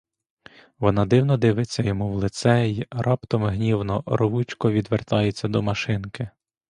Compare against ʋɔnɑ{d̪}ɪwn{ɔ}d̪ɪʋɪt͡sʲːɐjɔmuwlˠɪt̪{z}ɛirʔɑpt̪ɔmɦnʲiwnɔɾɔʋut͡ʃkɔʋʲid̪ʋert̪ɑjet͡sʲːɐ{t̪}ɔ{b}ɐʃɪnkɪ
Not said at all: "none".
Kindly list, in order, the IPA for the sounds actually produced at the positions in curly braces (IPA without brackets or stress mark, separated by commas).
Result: d̪, ɔ, s, d̪, m